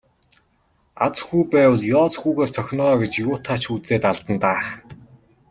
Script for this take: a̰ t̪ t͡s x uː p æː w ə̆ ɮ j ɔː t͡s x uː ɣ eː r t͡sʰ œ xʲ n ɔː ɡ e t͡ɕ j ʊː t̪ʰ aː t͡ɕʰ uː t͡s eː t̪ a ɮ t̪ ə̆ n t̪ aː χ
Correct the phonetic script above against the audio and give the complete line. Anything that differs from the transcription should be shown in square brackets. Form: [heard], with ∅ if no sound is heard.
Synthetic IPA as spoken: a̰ [∅] t͡s x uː p æː w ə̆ ɮ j ɔː t͡s x uː ɣ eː r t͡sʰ œ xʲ n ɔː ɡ e t͡ɕ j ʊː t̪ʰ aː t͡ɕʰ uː t͡s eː t̪ a ɮ t̪ ə̆ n t̪ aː χ